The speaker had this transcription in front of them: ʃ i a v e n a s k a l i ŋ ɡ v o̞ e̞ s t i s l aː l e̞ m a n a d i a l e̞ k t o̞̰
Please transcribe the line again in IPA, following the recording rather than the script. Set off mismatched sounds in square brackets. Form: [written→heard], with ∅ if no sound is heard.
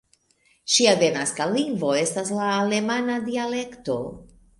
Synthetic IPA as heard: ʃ i a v e n a s k a l i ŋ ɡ v o̞ e̞ s t [i→a] s l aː l e̞ m a n a d i a l e̞ k t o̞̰